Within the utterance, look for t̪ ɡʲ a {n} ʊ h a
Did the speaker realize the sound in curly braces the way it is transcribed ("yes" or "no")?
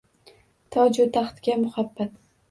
no